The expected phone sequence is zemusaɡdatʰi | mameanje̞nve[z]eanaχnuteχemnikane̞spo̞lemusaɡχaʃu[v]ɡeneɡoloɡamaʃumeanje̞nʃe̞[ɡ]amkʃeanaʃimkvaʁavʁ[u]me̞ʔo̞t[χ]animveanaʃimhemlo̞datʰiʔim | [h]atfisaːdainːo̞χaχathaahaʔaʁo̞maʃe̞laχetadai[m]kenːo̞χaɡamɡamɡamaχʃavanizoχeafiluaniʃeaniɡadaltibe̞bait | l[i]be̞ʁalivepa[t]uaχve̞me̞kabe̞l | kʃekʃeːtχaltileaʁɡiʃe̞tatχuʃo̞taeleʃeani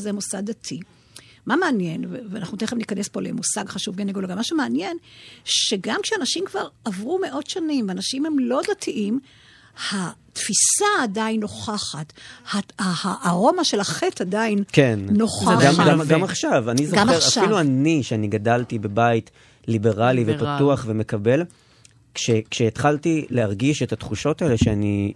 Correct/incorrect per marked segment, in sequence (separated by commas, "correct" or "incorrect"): incorrect, correct, correct, correct, incorrect, correct, incorrect, correct, correct